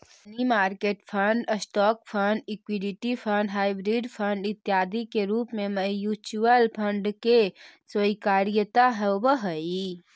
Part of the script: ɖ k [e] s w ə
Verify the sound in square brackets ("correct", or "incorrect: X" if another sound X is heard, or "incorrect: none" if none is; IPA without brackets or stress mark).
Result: correct